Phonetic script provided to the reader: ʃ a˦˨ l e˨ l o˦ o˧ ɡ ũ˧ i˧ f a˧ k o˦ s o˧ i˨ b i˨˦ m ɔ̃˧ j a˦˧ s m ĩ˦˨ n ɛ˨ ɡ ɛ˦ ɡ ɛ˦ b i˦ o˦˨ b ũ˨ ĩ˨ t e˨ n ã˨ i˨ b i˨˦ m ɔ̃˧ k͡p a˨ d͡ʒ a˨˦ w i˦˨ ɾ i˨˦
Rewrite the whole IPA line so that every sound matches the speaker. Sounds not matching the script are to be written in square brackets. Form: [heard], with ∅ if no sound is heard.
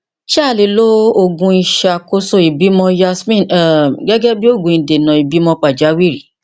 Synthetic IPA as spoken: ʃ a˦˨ l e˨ l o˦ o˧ ɡ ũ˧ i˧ [ʃ] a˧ k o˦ s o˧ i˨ b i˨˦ m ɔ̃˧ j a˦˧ s m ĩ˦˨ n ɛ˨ ɡ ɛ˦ ɡ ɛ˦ b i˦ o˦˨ [ɡ] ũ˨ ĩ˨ [d] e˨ n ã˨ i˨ b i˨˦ m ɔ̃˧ k͡p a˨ d͡ʒ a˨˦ w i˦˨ ɾ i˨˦